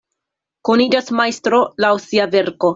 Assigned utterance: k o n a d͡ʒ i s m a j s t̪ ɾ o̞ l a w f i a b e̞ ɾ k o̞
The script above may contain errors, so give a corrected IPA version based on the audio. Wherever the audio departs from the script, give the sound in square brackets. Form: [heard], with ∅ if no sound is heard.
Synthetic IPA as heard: k o n [i] d͡ʒ [a] s m a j s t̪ ɾ o̞ l a w [s] i a [v] e̞ ɾ k o̞